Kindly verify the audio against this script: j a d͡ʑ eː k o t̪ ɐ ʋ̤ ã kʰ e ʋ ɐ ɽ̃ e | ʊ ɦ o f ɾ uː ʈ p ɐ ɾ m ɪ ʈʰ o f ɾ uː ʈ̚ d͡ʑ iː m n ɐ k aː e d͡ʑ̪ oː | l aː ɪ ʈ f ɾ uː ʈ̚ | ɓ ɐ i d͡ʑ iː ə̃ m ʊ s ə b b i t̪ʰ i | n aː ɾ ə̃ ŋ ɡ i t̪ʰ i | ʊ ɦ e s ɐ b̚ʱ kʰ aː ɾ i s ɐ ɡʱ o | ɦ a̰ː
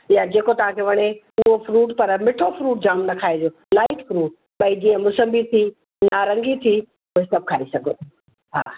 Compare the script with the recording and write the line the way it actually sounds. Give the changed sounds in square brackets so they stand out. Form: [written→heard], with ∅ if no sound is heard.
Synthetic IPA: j a d͡ʑ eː k o t̪ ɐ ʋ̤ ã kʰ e ʋ ɐ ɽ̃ e | ʊ ɦ o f ɾ uː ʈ p ɐ ɾ m ɪ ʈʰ o f ɾ uː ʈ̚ d͡ʑ [iː→aː] m n ɐ [k→kʰ] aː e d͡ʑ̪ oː | l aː ɪ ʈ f ɾ uː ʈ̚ | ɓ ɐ i d͡ʑ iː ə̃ m ʊ s ə [b→m] b i t̪ʰ i | n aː ɾ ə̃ ŋ ɡ i t̪ʰ i | ʊ ɦ e s ɐ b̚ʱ kʰ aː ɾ i s ɐ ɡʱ o | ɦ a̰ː